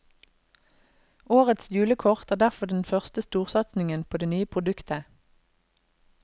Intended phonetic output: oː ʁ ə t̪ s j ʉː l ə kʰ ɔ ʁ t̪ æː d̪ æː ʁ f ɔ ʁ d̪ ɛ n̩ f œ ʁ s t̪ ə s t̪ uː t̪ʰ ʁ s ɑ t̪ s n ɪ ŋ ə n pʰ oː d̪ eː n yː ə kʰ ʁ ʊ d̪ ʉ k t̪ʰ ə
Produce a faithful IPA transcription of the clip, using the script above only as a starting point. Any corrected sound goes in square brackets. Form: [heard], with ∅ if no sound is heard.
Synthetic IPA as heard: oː ʁ ə t̪ s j ʉː l ə kʰ ɔ ʁ t̪ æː d̪ [æ] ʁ f ɔ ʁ d̪ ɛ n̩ f œ ʁ s t̪ ə s t̪ uː [∅] ʁ s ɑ t̪ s n ɪ ŋ ə n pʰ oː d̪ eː n yː ə [pʰ] ʁ ʊ d̪ ʉ k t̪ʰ ə